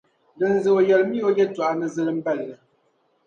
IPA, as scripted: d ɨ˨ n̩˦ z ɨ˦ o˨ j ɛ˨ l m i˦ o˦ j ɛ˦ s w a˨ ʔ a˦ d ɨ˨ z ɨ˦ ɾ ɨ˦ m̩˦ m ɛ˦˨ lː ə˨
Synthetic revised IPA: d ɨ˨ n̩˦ z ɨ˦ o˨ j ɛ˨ l m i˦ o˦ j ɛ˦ t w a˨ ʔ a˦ n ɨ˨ z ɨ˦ l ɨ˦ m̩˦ b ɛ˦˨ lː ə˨

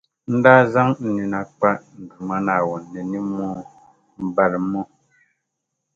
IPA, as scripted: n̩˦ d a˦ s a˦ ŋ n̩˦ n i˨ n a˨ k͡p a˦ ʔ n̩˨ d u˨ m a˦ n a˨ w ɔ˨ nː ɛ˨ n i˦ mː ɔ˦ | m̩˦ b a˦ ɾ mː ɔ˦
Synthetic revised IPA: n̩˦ d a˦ z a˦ ŋ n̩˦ n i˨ n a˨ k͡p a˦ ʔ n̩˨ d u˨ m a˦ n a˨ w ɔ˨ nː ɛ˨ n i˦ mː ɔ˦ | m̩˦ b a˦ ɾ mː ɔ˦

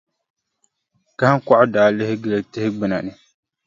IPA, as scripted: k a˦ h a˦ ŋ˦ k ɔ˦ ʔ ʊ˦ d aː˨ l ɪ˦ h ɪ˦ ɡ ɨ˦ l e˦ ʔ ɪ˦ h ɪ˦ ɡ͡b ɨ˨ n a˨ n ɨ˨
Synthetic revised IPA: k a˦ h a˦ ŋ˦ k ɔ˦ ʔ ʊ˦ d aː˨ l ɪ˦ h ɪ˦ ɡ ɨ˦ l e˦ t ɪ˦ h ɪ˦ ɡ͡b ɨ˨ n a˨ n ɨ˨

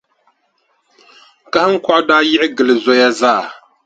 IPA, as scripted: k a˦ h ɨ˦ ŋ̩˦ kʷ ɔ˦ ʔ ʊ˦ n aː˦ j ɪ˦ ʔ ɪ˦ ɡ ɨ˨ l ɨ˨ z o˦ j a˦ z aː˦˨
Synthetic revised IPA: k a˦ h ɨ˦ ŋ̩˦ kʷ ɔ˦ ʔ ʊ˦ d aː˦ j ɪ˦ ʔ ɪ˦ ɡ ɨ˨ l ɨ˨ z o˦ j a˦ z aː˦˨

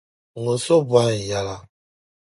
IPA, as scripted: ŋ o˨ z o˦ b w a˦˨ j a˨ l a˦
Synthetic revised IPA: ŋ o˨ s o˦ b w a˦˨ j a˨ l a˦

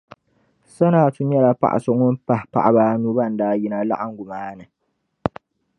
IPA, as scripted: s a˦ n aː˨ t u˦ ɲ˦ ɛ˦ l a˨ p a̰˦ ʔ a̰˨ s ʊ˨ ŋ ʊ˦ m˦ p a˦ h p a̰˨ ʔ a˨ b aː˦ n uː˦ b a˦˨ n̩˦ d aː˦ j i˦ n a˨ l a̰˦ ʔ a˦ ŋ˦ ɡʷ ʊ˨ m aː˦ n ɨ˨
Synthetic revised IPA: s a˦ n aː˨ t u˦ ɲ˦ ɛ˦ l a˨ p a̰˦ ʔ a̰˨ s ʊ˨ ŋ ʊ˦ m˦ p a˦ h p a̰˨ ʔ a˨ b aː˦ n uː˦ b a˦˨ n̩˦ d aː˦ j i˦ n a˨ l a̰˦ ʔ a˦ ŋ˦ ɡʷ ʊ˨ m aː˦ n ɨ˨

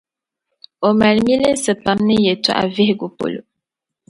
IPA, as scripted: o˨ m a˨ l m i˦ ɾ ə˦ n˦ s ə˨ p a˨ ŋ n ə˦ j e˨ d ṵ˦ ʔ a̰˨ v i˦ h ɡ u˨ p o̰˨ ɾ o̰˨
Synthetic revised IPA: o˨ m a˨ l m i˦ l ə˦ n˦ s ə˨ p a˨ m n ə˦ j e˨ t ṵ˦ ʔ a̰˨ v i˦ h ɡ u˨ p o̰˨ l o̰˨

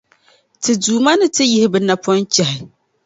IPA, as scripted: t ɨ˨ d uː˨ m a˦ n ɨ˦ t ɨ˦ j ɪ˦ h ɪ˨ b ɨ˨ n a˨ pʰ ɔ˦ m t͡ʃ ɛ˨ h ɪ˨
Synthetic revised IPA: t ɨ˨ d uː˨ m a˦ n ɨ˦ t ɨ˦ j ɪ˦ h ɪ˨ b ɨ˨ n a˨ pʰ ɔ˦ n t͡ʃ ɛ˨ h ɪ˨

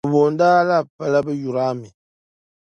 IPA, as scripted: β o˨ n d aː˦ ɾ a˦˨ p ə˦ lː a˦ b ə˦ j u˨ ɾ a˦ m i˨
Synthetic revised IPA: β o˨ n d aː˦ l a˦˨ p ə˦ l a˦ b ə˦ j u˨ ɾ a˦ m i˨

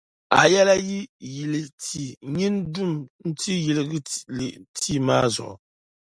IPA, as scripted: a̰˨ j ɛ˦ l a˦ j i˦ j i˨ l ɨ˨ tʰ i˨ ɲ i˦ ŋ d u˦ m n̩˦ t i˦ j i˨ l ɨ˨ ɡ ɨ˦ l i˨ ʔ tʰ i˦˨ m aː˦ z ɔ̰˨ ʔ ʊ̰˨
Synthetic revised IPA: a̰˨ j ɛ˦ l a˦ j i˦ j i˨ l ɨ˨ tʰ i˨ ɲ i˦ n d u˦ m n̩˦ t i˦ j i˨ l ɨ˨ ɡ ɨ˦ l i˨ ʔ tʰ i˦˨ m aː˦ z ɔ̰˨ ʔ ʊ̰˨

